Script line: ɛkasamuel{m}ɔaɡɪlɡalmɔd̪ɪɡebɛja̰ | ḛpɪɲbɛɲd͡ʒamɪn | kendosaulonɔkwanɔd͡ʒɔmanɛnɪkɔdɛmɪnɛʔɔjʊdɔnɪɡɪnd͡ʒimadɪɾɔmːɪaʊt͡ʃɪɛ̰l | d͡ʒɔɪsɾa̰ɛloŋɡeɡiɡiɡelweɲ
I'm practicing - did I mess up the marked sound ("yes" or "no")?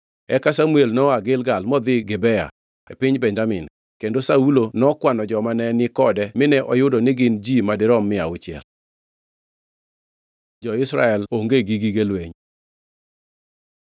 yes